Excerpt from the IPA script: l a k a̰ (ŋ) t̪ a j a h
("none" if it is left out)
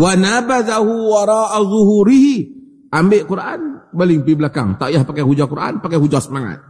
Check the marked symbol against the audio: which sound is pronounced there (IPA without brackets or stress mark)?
ŋ